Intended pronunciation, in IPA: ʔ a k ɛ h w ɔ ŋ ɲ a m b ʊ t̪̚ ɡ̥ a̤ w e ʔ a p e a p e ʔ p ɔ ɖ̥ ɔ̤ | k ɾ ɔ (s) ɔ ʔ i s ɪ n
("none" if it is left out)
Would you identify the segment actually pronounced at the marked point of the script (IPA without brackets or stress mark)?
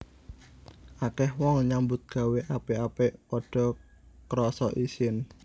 s